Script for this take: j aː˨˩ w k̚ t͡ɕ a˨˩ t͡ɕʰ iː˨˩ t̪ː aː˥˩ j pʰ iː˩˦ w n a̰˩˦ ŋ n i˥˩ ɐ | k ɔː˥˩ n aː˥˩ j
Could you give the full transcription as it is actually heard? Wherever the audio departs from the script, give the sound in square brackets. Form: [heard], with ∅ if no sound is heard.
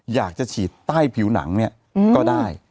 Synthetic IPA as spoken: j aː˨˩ [∅] k̚ t͡ɕ a˨˩ t͡ɕʰ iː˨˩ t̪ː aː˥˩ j pʰ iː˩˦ w n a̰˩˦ ŋ n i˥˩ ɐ | k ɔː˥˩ [d] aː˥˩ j